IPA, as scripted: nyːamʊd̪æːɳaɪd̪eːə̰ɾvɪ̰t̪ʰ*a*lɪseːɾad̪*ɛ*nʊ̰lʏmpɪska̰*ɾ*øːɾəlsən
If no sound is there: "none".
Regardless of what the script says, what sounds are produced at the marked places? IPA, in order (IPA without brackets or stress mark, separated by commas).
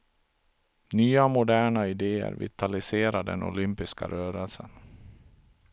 a, ɛ, ɾ